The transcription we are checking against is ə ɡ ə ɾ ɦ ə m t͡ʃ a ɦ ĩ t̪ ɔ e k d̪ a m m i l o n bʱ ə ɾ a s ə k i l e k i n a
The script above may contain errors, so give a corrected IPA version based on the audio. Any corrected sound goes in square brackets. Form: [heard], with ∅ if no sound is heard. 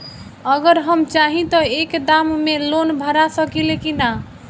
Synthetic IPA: ə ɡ ə ɾ ɦ ə m t͡ʃ a ɦ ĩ t̪ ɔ e k d̪ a m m [e] l o n bʱ ə ɾ a s ə k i l e k i n a

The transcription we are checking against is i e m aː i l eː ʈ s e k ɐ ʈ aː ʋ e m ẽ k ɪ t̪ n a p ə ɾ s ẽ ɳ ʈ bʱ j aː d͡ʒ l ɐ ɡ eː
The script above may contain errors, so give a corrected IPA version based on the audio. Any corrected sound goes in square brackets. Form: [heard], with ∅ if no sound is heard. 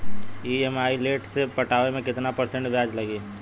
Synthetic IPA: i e m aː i l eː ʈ s e [p] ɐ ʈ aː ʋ e m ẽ k ɪ t̪ n a p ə ɾ s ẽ ɳ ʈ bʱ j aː d͡ʒ l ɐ ɡ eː

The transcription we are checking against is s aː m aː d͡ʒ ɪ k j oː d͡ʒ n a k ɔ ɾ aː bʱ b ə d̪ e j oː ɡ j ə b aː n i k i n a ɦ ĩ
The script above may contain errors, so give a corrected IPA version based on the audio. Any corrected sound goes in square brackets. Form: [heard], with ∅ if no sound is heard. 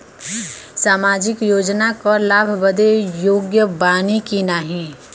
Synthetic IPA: s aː m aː d͡ʒ ɪ k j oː d͡ʒ n a k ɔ [l] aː bʱ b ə d̪ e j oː ɡ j ə b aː n i k i n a ɦ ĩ

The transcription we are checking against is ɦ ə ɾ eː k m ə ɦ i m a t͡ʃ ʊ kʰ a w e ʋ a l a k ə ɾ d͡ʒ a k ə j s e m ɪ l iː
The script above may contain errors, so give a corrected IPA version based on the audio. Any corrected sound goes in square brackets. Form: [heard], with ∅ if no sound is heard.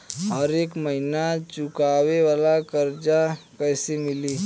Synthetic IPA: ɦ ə ɾ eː k m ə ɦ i [n] a t͡ʃ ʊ [k] a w e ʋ a l a k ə ɾ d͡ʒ a k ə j s e m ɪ l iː

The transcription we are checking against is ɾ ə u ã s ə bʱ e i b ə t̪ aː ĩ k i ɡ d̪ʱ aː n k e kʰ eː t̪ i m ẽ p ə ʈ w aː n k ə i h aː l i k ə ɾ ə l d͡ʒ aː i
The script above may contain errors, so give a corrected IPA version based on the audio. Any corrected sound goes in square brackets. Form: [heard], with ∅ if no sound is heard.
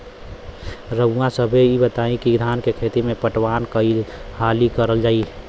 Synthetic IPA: ɾ ə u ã s ə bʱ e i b ə t̪ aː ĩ k i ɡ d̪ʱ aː n k e kʰ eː t̪ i m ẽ p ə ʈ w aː n k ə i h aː l i k ə ɾ ə l d͡ʒ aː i

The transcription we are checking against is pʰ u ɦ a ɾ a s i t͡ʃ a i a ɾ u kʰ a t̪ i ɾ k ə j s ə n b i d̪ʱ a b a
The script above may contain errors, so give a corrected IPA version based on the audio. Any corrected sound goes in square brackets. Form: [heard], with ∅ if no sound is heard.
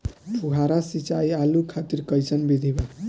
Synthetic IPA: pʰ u ɦ a ɾ a s i t͡ʃ a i a [l] u kʰ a t̪ i ɾ k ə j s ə n b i d̪ʱ [i] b a

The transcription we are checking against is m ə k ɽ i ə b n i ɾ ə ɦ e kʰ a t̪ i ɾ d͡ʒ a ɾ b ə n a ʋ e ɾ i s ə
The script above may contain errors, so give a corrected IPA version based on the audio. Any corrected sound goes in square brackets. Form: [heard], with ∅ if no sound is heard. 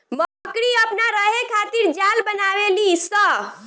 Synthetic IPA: m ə k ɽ i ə [p] n [a] ɾ ə ɦ e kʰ a t̪ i ɾ d͡ʒ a [l] b ə n a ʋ e [l] i s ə

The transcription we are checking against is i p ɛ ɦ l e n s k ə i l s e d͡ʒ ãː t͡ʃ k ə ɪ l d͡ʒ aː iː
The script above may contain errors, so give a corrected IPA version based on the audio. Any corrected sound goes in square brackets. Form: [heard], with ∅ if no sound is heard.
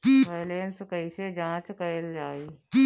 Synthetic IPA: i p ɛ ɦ l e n s k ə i [∅] s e d͡ʒ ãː t͡ʃ k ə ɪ l d͡ʒ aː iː

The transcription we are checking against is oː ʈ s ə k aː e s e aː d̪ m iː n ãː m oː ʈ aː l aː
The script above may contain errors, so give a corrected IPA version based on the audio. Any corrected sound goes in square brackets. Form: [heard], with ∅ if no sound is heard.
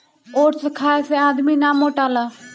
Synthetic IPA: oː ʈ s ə [kʰ] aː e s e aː d̪ m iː n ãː m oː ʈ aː l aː

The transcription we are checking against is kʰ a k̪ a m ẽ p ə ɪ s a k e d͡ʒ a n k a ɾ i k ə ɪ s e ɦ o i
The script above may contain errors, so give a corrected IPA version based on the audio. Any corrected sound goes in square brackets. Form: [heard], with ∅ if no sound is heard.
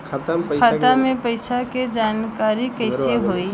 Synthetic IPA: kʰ a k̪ a m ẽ p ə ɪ s a k e d͡ʒ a n k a ɾ i k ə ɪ s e ɦ o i

